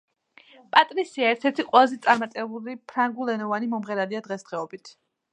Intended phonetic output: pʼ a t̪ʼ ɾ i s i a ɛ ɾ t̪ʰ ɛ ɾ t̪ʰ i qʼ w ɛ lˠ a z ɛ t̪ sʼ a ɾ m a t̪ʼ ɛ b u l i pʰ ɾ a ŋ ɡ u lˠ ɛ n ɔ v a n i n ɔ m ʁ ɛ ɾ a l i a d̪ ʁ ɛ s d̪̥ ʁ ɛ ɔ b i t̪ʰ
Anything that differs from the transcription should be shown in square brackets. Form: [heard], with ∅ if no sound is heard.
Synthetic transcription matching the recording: pʼ a t̪ʼ ɾ i s i a ɛ ɾ t̪ʰ ɛ ɾ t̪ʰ i qʼ w ɛ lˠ a z ɛ t̪ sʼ a ɾ m a t̪ʼ ɛ b u l i pʰ ɾ a ŋ ɡ u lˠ ɛ n ɔ v a n i [m] ɔ m ʁ ɛ ɾ a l i a d̪ ʁ ɛ s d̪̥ ʁ ɛ ɔ b i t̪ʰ